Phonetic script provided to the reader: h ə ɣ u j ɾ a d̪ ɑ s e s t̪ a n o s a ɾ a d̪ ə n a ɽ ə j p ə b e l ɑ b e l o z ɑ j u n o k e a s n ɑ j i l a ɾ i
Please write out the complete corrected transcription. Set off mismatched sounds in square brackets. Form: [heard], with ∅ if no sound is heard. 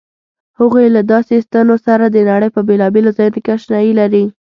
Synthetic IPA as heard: h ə ɣ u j [l] a d̪ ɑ s e s t̪ a n o s a ɾ a d̪ ə n a ɽ ə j p ə b e l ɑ b e l o z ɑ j u n o k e a [ʃ] n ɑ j i l a ɾ i